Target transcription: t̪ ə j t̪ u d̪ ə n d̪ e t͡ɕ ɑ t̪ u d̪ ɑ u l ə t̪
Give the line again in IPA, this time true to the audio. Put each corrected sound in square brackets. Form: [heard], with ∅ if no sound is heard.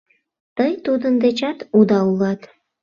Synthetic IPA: t̪ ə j t̪ u d̪ ə n d̪ e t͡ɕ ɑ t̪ u d̪ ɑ u l [ɑ] t̪